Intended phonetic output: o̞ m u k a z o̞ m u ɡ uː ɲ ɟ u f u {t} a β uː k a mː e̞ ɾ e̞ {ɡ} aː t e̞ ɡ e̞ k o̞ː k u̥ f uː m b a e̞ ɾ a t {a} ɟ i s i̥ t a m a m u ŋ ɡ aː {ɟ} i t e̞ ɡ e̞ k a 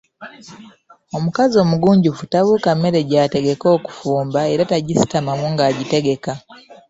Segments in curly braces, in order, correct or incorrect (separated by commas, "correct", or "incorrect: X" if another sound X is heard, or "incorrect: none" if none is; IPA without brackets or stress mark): correct, incorrect: ɟ, correct, correct